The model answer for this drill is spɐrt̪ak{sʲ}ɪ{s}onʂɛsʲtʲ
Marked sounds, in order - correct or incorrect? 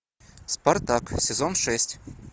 correct, incorrect: z

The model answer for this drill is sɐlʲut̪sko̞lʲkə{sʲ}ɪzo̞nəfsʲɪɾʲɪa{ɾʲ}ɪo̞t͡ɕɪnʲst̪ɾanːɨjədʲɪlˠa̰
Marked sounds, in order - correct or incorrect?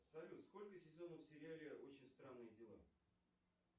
correct, incorrect: lʲ

